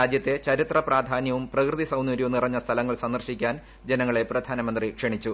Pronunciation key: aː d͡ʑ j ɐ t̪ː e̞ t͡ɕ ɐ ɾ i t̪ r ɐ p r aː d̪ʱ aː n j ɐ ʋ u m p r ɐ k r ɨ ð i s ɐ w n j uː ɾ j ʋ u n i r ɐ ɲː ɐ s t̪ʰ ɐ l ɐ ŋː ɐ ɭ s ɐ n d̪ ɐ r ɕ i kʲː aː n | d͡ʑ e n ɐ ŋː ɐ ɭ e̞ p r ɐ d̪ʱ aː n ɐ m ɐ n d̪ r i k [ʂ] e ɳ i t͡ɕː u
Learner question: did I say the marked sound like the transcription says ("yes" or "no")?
yes